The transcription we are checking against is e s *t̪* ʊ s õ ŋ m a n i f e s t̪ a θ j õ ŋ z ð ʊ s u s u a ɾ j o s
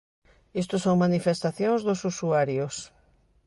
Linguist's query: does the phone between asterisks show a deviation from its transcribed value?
no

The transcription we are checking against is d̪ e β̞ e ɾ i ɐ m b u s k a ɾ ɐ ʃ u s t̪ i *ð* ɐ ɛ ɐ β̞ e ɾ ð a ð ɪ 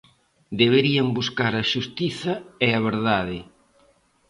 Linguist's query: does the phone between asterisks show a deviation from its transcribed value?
yes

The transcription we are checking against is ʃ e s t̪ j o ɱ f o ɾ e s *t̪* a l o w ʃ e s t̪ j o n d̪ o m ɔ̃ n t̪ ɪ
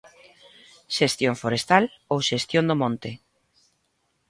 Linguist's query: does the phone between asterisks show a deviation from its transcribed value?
no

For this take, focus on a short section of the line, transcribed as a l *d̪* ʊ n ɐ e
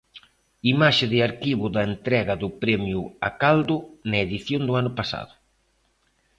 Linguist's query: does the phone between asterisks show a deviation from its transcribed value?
no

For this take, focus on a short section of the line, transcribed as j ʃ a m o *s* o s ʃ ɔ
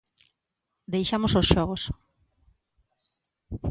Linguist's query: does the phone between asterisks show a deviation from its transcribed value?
no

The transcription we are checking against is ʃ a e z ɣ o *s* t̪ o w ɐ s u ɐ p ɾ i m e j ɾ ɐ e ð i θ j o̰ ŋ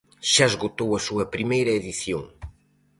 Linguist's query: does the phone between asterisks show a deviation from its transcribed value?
yes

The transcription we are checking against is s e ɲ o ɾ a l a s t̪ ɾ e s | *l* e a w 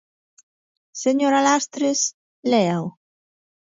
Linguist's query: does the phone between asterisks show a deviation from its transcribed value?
no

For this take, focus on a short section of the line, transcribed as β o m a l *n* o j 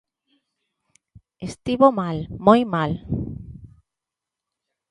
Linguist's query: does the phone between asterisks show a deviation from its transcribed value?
yes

